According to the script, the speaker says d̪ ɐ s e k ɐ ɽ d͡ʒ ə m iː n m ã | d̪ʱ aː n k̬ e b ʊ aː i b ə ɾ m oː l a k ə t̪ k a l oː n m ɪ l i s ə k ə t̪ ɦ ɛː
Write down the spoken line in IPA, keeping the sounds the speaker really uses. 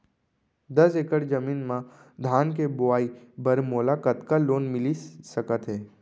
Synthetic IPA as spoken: d̪ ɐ s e k ə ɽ d͡ʒ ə m iː n m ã | d̪ʱ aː n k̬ e b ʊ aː i b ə ɾ m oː l a k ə t̪ k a l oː n m ɪ l i s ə k ə t̪ ɦ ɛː